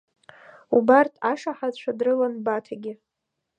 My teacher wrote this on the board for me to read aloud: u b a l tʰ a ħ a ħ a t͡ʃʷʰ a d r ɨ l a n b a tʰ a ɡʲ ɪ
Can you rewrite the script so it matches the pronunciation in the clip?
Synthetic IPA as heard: u b a r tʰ a ʂ a ħ a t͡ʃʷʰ a d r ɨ l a n b a tʰ a ɡʲ ɪ